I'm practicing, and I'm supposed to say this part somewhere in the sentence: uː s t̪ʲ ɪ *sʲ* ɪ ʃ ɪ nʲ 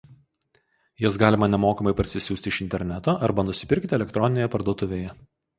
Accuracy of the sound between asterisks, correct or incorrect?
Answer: incorrect